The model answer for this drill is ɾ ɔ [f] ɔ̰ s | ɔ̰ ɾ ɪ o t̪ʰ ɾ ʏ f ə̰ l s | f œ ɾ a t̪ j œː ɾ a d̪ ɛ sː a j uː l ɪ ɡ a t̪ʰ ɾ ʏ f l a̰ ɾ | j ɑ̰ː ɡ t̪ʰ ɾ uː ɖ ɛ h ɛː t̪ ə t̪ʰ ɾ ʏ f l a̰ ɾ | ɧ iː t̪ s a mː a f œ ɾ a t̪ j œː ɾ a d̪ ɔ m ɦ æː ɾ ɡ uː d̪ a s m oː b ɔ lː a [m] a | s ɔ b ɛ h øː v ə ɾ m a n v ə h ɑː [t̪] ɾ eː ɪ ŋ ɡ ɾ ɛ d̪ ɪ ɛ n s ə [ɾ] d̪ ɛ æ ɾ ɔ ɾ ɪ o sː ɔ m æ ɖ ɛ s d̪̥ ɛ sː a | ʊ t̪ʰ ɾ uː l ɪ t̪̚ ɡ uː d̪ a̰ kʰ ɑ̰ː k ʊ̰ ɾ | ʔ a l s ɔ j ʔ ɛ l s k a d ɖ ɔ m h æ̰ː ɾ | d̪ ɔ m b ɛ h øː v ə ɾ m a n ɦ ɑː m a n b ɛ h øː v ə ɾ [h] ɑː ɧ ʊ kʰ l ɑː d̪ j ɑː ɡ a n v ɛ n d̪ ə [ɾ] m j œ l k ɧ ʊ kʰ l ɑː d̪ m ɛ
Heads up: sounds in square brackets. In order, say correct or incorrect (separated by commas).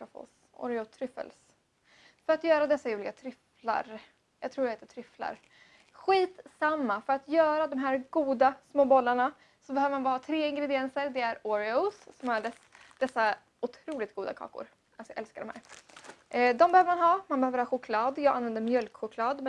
correct, incorrect, incorrect, correct, correct, correct